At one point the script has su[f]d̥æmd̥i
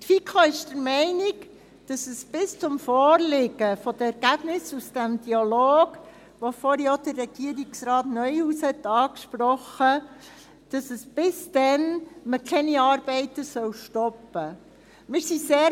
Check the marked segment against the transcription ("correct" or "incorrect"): incorrect